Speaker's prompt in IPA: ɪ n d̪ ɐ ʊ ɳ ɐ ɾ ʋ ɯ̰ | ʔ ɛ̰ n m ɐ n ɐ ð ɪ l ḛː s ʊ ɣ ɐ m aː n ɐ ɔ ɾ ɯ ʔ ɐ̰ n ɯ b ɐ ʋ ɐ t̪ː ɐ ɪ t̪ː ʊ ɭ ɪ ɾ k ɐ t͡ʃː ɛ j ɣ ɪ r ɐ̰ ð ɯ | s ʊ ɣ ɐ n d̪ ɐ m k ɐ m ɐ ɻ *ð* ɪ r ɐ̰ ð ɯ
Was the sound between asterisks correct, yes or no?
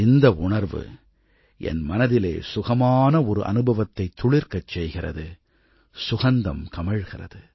no